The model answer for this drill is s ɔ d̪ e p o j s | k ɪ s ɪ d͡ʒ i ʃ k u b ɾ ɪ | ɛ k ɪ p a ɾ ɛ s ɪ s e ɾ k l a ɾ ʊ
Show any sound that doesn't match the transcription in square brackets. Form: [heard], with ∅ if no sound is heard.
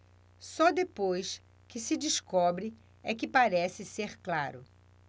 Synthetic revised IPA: s ɔ d̪ e p o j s | k ɪ s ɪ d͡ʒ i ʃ k [ɔ] b ɾ ɪ | ɛ k ɪ p a ɾ ɛ s ɪ s e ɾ k l a ɾ ʊ

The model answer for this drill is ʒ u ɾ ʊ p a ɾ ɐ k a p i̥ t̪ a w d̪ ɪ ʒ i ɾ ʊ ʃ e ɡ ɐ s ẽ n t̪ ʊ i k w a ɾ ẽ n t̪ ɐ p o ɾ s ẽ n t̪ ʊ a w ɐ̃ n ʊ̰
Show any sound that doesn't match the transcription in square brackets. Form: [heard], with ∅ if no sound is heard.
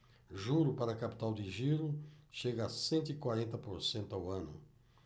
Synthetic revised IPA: ʒ u ɾ ʊ p a ɾ ɐ k a p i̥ t̪ a w d̪ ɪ ʒ i ɾ ʊ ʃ e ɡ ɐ s ẽ n t̪ ʊ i k w a ɾ ẽ n t̪ ɐ p o ɾ s ẽ n t̪ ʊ a w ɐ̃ n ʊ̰

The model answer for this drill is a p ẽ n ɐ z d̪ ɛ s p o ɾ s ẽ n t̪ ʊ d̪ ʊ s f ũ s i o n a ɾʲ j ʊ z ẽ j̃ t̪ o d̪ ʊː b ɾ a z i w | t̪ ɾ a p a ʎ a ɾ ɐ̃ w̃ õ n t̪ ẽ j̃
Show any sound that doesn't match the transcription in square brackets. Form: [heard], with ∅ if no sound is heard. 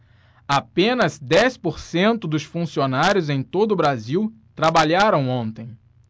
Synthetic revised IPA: a p ẽ n ɐ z d̪ ɛ s p o ɾ s ẽ n t̪ ʊ d̪ ʊ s f ũ s i o n a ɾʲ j ʊ z ẽ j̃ t̪ o d̪ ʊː b ɾ a z i w | t̪ ɾ a [b] a ʎ a ɾ ɐ̃ w̃ õ n t̪ ẽ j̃

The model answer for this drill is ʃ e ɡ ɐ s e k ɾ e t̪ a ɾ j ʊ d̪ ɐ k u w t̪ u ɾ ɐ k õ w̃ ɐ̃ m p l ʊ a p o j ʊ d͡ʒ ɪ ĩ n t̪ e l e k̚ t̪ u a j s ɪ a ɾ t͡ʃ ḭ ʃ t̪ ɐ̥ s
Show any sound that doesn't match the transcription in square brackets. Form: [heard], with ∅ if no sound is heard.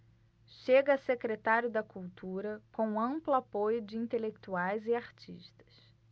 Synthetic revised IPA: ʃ e ɡ ɐ s e k ɾ e t̪ a ɾ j ʊ d̪ ɐ k u w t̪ u ɾ ɐ k õ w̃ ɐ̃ m p l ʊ a p o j ʊ d͡ʒ ɪ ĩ n t̪ e l e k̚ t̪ u a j [z] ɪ a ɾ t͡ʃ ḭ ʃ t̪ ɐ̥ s

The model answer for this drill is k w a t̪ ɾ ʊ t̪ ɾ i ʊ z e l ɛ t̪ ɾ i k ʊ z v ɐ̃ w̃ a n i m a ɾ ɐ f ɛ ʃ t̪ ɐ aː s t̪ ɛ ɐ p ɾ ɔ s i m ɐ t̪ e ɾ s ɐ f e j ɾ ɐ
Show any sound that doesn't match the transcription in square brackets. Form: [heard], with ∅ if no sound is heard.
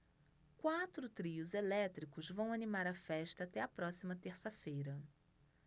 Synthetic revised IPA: k w a t̪ ɾ ʊ t̪ ɾ i ʊ z e l ɛ t̪ ɾ i k ʊ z v ɐ̃ w̃ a n i m a ɾ ɐ f ɛ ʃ t̪ ɐ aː [∅] t̪ ɛ ɐ p ɾ ɔ s i m ɐ t̪ e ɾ s ɐ f e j ɾ ɐ

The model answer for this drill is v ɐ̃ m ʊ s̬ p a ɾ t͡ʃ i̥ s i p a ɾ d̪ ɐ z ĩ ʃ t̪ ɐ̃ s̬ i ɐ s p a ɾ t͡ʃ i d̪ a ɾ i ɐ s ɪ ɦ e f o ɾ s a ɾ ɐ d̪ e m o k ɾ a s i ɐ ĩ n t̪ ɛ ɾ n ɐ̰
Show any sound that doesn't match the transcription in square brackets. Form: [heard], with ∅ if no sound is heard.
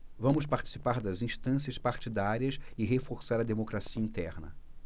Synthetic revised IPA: v ɐ̃ m ʊ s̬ p a ɾ t͡ʃ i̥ s i p a ɾ d̪ ɐ z ĩ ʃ t̪ ɐ̃ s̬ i ɐ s p a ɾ t͡ʃ i d̪ a ɾ i ɐ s ɪ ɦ e f o ɾ s a ɾ ɐ d̪ e m o k ɾ a s i ɐ ĩ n t̪ ɛ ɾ n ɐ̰

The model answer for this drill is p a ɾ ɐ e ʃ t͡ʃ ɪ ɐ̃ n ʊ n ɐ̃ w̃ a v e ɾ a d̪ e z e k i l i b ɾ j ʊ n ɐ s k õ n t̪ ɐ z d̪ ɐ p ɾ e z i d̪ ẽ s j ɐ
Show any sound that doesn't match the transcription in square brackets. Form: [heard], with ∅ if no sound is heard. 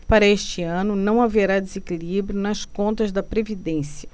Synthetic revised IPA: p a ɾ ɐ e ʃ t͡ʃ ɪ ɐ̃ n ʊ n ɐ̃ w̃ a v e ɾ a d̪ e z e k i l i b ɾ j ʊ n ɐ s k õ n t̪ ɐ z d̪ ɐ p ɾ e [v] i d̪ ẽ s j ɐ

